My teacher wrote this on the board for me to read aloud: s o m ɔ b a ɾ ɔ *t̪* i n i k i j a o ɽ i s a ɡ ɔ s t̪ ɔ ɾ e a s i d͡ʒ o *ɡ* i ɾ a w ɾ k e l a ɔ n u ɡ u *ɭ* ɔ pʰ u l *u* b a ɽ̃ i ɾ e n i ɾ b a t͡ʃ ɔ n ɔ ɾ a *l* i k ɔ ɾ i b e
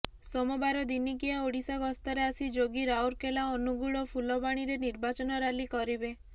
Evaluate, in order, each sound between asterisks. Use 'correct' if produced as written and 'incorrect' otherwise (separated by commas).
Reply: incorrect, correct, correct, incorrect, correct